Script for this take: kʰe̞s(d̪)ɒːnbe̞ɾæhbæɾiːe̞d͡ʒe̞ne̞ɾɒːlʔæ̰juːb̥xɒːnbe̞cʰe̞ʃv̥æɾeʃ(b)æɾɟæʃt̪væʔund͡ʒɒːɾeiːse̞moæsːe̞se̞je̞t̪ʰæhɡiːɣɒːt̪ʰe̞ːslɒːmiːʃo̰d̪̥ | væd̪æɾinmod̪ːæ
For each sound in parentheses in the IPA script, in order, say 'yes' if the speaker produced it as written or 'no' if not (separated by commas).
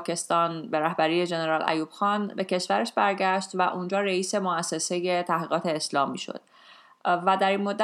no, yes